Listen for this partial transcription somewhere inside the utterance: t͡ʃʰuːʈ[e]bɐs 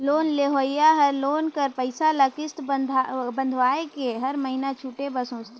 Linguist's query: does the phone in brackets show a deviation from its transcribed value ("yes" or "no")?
no